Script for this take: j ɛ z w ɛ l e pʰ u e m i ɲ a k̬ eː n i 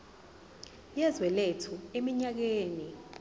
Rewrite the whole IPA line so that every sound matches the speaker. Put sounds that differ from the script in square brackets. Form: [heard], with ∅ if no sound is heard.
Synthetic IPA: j ɛ z w ɛ l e [tʰ] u e m i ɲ a k̬ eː n i